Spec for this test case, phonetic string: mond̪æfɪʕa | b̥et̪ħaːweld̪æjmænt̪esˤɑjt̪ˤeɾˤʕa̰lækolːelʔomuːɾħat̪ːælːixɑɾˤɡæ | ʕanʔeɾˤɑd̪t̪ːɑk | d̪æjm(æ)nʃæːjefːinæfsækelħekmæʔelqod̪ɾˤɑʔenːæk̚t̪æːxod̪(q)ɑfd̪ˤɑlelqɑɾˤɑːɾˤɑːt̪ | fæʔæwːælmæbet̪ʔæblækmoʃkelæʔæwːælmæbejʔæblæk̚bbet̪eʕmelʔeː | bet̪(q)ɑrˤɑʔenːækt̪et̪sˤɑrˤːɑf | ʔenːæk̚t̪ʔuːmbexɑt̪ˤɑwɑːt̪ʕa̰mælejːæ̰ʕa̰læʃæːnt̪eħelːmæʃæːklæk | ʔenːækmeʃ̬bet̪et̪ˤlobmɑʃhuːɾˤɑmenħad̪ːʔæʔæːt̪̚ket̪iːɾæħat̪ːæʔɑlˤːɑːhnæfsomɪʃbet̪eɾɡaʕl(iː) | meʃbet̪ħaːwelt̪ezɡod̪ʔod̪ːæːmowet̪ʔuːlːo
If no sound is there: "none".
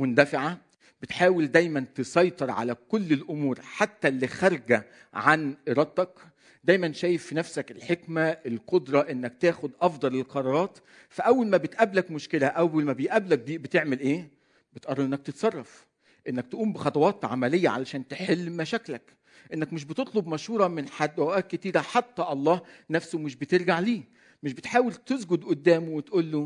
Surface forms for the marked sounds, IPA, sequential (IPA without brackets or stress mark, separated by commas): æ, ʔ, ʔ, iː